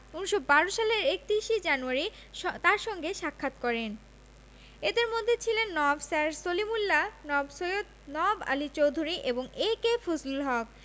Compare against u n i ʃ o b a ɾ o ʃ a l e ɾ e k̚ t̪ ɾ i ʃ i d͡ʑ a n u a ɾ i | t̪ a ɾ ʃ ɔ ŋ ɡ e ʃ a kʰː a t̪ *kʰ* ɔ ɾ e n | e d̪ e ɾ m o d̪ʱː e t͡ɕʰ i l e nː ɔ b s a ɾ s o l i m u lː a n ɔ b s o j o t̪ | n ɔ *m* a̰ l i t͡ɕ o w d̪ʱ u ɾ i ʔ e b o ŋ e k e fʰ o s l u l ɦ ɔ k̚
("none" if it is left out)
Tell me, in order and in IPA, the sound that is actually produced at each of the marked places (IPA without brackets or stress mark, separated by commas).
k, b